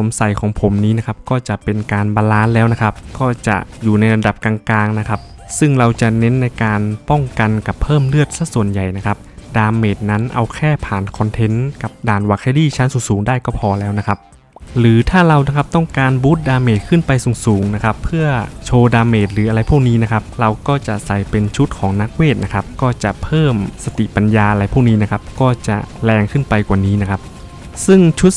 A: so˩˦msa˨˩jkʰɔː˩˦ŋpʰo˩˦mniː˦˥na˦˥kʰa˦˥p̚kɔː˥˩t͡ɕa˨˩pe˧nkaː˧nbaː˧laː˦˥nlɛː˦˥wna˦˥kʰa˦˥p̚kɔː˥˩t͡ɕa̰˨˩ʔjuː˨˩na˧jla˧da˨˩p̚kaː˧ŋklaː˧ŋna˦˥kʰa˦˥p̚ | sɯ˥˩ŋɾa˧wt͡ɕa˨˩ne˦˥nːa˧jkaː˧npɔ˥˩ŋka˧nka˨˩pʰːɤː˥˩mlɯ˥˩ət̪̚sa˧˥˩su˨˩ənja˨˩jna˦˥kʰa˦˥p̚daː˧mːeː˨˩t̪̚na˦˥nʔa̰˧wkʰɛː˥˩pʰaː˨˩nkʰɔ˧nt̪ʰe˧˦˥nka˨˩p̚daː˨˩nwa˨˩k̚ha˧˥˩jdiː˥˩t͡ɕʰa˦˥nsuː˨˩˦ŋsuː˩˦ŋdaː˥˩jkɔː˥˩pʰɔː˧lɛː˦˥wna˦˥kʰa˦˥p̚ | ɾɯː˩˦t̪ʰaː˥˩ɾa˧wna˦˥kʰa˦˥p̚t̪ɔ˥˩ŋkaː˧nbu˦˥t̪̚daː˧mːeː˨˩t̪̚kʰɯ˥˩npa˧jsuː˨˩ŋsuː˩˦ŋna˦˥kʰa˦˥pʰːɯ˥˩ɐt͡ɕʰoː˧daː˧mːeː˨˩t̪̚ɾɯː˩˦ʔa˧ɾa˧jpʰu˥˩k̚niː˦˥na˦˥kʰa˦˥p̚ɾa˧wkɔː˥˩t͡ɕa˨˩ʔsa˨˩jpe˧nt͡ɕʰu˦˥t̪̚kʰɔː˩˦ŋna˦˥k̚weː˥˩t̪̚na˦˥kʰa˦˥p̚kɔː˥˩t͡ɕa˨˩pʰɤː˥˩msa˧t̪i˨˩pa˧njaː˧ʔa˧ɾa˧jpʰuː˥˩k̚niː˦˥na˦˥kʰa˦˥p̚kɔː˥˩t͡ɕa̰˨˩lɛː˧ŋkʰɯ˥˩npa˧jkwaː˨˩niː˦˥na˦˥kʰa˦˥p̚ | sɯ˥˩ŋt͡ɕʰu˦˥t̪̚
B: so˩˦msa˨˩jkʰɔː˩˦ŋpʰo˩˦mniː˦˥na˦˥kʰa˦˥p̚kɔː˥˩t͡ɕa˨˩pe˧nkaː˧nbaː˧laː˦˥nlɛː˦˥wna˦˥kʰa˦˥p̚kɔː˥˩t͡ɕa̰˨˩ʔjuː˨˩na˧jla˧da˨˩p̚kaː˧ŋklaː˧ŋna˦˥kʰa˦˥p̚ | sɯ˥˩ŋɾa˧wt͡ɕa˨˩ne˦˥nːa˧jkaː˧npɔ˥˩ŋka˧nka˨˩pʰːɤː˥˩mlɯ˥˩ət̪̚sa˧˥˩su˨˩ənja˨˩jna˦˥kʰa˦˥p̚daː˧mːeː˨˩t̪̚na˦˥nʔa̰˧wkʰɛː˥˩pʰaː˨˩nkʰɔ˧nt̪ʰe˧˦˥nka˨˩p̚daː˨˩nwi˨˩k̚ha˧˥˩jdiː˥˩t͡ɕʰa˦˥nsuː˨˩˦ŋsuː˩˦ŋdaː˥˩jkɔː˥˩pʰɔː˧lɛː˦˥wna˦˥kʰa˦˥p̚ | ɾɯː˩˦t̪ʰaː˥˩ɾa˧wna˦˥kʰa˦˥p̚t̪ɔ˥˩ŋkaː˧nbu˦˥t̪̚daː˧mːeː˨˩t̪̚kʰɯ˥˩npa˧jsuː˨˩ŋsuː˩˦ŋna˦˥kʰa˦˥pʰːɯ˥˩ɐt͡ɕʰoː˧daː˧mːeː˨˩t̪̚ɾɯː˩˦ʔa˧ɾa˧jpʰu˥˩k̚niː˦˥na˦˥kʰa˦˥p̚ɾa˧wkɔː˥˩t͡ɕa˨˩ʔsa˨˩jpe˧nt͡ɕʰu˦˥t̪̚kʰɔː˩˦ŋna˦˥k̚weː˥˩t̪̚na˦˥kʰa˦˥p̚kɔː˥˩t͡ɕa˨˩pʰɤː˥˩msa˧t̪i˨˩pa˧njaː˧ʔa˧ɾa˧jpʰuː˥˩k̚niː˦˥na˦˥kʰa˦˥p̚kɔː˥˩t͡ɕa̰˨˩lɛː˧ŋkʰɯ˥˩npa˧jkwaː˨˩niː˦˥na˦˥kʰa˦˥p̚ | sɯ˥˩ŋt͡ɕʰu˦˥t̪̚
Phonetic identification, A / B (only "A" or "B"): A